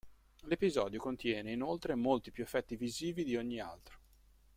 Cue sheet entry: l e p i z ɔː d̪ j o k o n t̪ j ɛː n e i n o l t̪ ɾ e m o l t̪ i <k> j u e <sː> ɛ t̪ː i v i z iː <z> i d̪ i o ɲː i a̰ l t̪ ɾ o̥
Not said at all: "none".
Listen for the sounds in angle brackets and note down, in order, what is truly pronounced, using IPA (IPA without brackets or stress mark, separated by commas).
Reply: p, fː, v